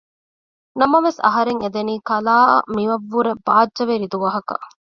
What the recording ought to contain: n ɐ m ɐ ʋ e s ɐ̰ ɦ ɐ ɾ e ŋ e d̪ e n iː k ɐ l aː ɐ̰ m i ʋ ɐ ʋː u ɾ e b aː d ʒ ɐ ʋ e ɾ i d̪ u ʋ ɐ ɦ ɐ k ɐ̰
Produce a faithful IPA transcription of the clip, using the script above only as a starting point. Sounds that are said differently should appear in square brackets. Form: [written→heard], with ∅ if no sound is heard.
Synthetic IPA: n ɐ m ɐ ʋ e s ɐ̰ ɦ ɐ ɾ e ŋ e d̪ e n iː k ɐ l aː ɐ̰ m i ʋ ɐ ʋː u ɾ e b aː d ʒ ɐ ʋ e ɾ i d̪ u ʋ ɐ ɦ ɐ k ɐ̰